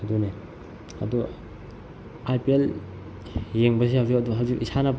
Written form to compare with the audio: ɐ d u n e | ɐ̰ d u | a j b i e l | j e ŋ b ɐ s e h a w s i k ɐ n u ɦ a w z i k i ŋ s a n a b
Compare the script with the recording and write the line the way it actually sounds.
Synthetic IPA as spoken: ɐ d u n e | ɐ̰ d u | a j p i e l | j e ŋ b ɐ s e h a w z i k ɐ d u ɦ a w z i k i s a n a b